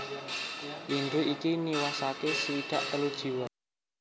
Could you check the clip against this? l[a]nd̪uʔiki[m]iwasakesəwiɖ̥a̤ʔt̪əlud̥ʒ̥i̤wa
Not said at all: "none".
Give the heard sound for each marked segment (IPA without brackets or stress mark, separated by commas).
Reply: i, n